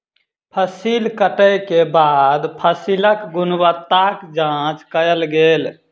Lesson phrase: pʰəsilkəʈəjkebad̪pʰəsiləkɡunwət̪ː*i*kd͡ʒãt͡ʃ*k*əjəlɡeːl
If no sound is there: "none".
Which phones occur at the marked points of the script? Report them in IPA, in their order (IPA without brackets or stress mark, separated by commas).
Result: a, k